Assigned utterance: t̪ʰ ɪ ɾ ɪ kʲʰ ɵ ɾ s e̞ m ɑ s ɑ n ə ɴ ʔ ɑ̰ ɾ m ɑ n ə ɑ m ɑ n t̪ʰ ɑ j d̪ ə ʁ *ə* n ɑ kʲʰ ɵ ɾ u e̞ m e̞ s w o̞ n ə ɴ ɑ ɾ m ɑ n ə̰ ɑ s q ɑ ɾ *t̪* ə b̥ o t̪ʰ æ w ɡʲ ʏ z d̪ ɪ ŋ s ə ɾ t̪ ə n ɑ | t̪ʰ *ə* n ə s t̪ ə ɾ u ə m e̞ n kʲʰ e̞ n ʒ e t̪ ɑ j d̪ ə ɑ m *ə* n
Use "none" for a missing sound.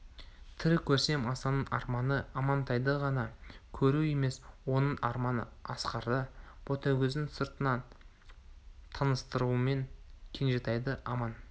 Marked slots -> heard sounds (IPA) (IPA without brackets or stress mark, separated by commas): ɑ, d̪, ɑ, ɑ